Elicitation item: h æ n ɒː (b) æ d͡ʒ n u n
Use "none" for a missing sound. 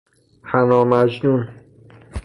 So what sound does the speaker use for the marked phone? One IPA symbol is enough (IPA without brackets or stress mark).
m